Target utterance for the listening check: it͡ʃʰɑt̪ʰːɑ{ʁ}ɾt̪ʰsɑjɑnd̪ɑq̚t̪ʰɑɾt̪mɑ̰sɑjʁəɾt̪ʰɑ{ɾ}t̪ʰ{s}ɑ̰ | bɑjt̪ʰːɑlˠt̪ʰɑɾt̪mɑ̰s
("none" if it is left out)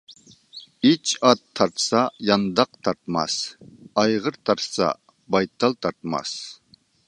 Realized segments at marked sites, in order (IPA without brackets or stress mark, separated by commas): none, ɾ, s